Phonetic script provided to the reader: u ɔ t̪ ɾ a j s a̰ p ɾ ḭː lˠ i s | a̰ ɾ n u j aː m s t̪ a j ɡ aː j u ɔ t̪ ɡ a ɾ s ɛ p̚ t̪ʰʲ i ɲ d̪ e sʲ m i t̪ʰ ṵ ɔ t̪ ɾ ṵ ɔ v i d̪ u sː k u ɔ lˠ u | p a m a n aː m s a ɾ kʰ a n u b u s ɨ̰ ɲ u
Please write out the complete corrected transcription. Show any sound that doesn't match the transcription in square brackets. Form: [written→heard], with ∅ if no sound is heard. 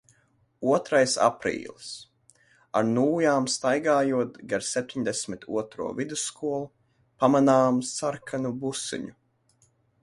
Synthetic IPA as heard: u ɔ t̪ ɾ a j s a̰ p ɾ ḭː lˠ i s | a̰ ɾ n [u→uː] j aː m s t̪ a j ɡ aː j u ɔ t̪ ɡ a ɾ s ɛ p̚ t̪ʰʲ i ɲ d̪ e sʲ m i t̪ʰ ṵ ɔ t̪ ɾ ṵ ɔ v i d̪ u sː k u ɔ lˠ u | p a m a n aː m s a ɾ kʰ a n u b u s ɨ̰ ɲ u

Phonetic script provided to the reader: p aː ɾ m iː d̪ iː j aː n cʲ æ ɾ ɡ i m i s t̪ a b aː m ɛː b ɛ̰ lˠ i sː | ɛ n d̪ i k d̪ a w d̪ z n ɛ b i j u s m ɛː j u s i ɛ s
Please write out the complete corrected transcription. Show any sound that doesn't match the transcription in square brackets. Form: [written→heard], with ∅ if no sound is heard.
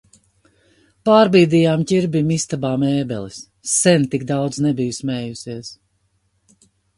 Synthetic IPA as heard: p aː ɾ [m→b] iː d̪ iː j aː [n→m] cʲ [æ→i] ɾ [ɡ→b] i m i s t̪ a b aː m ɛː b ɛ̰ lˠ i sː | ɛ n [d̪→t̪] i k d̪ a w d̪ z n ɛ b i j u s m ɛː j u s i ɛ s

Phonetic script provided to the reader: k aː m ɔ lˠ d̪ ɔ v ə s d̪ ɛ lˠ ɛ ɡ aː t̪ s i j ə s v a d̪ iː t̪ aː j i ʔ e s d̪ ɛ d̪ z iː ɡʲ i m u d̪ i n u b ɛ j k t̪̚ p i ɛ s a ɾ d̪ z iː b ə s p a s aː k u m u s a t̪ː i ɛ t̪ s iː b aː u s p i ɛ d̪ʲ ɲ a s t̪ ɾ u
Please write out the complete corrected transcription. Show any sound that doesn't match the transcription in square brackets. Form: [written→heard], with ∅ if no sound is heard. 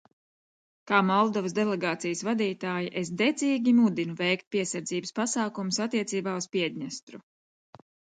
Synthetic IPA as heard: k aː m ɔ lˠ d̪ ɔ v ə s d̪ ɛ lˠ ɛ ɡ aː t̪ s i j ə s v a d̪ iː t̪ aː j i ʔ e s d̪ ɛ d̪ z iː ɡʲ i m u d̪ i n u [b→v] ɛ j k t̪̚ p i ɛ s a ɾ d̪ z iː b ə s p a s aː k u m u s a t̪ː i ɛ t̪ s iː b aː u s p i ɛ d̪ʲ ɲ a s t̪ ɾ u

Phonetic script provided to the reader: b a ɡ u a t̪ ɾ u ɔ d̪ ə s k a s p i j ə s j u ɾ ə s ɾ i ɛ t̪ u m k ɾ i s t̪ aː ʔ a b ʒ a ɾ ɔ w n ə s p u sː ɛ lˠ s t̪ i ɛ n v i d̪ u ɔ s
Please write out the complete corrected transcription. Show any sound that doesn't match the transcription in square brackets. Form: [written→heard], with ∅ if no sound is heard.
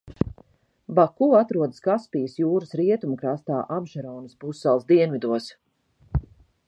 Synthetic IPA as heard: b a [ɡ→k] u a t̪ ɾ u ɔ d̪ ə s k a s p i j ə s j [u→uː] ɾ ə s ɾ i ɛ t̪ u m k ɾ [i→a] s t̪ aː ʔ a b ʒ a ɾ ɔ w n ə s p u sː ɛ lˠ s [t̪→d̪] i ɛ n v i d̪ u ɔ s

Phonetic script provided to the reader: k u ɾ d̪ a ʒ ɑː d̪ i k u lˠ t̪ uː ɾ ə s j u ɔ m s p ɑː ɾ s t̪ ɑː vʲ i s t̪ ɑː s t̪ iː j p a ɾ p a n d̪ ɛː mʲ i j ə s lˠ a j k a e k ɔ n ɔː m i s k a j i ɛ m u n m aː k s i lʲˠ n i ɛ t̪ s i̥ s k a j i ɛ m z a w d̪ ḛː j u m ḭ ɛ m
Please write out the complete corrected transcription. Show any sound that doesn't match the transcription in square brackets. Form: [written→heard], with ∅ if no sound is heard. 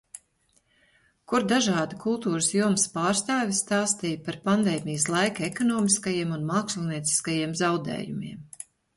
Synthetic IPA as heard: k u ɾ d̪ a ʒ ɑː d̪ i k u lˠ t̪ uː ɾ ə s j u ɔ m s p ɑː ɾ s t̪ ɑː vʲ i s t̪ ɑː s t̪ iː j p a ɾ p a n d̪ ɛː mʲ i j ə s lˠ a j k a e k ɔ n ɔː m i s k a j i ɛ m u n m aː k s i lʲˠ n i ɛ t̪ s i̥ s k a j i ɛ m z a w d̪ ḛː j u m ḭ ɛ m

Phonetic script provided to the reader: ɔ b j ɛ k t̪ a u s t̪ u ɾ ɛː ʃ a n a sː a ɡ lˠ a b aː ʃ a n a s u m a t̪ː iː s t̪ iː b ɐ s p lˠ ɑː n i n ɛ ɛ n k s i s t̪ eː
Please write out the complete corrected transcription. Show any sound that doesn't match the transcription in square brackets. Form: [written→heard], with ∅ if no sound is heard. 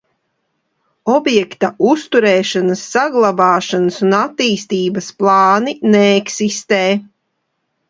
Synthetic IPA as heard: ɔ b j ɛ k t̪ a u s t̪ u ɾ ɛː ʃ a n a sː a ɡ lˠ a b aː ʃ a n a s u [m→n] a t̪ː iː s t̪ iː b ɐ s p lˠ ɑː n i n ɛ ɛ [n→∅] k s i s t̪ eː

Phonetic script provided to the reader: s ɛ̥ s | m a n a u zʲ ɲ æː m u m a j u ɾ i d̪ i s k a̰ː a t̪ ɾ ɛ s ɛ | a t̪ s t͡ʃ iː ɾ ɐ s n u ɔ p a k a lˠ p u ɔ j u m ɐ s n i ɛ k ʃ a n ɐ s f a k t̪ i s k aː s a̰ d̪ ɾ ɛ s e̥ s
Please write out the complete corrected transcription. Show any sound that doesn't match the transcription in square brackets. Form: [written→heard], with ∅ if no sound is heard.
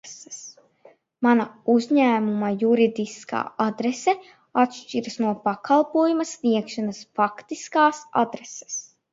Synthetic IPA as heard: s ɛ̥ s | m a n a u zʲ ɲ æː m u m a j u ɾ i d̪ i s k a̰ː a [t̪→d̪] ɾ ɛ s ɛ | a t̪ [s→ʃ] t͡ʃ [iː→i] ɾ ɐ s n u ɔ p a k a lˠ p u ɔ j u m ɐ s n i ɛ k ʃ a n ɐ s f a k t̪ i s k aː s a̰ d̪ ɾ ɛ s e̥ s

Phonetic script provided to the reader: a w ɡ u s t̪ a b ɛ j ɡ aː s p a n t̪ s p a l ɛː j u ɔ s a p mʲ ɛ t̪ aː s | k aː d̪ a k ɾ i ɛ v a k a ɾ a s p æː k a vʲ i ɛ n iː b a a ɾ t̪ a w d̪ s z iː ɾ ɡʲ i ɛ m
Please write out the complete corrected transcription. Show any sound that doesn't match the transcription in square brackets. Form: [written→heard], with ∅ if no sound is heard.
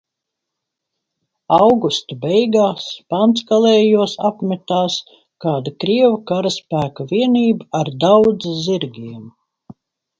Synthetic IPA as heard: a w ɡ u s t̪ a b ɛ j ɡ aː s p a n t̪ s [p→k] a l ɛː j u ɔ s a p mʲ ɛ t̪ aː s | k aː d̪ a k ɾ i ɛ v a k a ɾ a s p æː k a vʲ i ɛ n iː b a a ɾ [t̪→d̪] a w d̪ [s→z] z [iː→i] ɾ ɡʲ i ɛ m

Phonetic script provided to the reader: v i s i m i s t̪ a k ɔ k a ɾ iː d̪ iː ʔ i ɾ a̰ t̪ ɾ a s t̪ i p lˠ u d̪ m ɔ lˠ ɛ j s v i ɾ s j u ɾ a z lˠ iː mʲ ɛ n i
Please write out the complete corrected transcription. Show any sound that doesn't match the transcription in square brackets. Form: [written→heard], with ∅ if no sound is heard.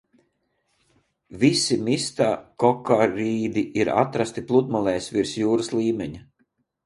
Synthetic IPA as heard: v i s i m i s t̪ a k ɔ k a ɾ iː d̪ [iː→i] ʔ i ɾ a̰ t̪ ɾ a s t̪ i p lˠ u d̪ m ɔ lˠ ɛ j s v i ɾ s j [u→uː] ɾ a [z→s] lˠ iː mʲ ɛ [n→ɲ] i

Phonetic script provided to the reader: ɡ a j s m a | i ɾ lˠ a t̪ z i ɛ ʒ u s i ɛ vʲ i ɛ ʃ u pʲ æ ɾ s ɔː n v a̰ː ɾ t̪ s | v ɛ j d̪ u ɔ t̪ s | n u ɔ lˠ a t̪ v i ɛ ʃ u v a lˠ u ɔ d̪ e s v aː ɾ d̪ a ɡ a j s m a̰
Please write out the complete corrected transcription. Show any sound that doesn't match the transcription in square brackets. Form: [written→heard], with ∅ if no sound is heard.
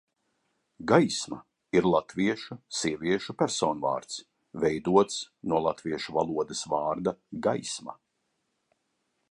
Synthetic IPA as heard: ɡ a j s m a | i ɾ lˠ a t̪ [z→v] i ɛ [ʒ→ʃ] u s i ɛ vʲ i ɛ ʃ u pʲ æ ɾ s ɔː n v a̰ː ɾ t̪ s | v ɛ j d̪ u ɔ t̪ s | n u ɔ lˠ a t̪ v i ɛ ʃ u v a lˠ u ɔ d̪ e s v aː ɾ d̪ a ɡ a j s m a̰

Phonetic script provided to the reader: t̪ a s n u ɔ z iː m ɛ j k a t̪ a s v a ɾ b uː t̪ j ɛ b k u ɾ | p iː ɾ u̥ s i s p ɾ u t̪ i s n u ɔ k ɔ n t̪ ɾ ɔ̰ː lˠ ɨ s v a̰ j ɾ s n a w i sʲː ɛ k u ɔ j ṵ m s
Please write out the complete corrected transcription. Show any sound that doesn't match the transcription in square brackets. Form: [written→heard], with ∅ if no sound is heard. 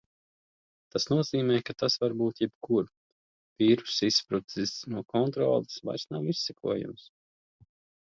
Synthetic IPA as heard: t̪ a s n u ɔ z iː m ɛ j k a t̪ a s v a ɾ b uː t̪ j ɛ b k u ɾ | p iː ɾ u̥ s i s p ɾ u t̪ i s n u ɔ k ɔ n t̪ ɾ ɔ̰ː lˠ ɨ s v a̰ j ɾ s n a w i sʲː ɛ k u ɔ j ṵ m s

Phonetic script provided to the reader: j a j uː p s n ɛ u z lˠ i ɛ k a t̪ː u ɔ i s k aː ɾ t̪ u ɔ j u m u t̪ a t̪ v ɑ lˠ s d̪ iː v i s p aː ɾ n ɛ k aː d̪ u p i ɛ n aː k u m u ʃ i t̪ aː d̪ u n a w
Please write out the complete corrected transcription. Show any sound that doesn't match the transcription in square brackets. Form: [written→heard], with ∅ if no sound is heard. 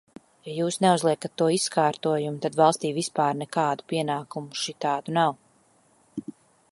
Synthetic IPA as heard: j a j uː [p→∅] s n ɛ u z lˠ i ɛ k a t̪ː u ɔ i s k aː ɾ t̪ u ɔ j u m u t̪ a [t̪→d̪] v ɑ lˠ s [d̪→t̪] iː v i s p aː ɾ n ɛ k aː d̪ u p i ɛ n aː k u m u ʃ i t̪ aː d̪ u n a w

